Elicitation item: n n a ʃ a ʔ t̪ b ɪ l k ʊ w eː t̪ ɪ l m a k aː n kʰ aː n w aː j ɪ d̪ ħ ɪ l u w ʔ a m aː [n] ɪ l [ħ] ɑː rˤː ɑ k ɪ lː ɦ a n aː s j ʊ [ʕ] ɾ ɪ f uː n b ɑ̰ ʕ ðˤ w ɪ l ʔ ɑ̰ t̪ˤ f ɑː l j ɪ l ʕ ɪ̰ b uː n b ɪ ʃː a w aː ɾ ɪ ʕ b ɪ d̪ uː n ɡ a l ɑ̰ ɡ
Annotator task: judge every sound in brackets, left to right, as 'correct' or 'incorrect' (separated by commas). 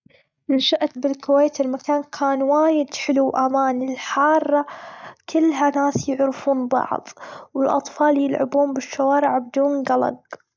correct, correct, correct